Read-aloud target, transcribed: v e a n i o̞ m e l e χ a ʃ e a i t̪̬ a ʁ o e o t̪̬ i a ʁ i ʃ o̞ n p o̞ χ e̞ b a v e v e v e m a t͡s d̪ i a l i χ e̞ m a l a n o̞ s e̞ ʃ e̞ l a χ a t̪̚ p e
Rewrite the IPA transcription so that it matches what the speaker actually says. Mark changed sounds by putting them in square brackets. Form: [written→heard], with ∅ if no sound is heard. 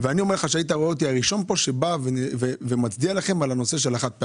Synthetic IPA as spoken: v e a n i o̞ m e l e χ a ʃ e a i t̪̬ a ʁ o e o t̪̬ i a ʁ i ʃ o̞ n p o̞ [χ→ʃ] e̞ b a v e v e v e m a t͡s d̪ i a l [i→a] χ e̞ m a l a n o̞ s e̞ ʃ e̞ l a χ a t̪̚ p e